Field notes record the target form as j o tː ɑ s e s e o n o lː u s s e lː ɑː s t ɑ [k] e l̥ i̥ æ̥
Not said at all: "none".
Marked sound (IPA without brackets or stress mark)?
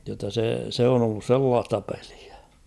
p